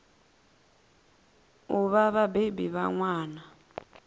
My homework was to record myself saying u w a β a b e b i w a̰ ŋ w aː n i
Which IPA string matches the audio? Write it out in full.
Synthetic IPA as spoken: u β a β a b e b i β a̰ ŋ w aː n a